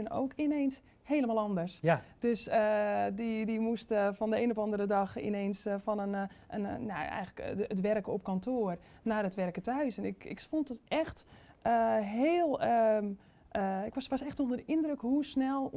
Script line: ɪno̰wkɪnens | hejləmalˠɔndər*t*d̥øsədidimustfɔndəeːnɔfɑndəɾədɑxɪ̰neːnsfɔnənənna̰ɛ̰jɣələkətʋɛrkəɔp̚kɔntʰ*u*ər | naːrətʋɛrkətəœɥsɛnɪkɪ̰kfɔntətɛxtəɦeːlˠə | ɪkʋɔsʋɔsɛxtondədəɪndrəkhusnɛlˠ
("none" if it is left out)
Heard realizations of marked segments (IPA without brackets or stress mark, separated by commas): s, o